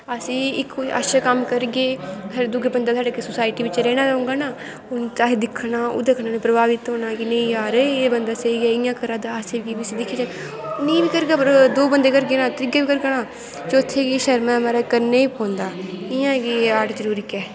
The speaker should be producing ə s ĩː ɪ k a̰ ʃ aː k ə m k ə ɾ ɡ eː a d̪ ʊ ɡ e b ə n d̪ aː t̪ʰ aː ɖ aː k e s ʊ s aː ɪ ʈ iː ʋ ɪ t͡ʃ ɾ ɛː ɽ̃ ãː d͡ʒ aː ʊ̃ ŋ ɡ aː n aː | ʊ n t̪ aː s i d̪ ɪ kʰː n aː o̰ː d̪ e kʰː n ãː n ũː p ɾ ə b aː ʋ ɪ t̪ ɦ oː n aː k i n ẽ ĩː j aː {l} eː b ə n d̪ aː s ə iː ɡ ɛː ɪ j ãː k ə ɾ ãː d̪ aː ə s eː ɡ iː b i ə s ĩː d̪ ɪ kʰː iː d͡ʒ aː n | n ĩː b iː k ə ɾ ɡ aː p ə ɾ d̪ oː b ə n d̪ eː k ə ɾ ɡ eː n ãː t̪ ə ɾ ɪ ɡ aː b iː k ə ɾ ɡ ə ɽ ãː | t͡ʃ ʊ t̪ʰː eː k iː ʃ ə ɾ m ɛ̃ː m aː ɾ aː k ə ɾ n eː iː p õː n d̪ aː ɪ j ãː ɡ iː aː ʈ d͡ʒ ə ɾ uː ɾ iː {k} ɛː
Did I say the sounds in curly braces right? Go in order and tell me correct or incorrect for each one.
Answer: incorrect: ɾ, correct

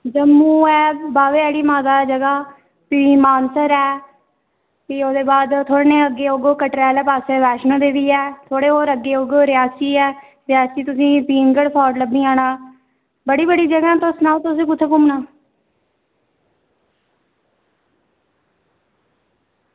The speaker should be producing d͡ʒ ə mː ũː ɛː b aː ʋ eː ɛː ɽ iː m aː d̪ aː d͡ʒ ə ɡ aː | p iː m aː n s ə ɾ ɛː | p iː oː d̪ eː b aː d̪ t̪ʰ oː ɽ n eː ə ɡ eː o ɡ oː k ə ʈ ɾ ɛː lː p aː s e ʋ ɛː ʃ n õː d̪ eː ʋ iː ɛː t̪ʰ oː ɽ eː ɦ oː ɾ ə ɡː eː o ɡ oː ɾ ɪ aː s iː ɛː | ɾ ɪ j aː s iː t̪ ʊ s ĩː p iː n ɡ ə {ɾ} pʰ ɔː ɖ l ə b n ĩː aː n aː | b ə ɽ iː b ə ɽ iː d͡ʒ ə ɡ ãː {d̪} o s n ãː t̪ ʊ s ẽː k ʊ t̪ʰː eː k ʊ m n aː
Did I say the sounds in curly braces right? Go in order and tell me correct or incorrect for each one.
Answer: incorrect: ɽ, incorrect: t̪

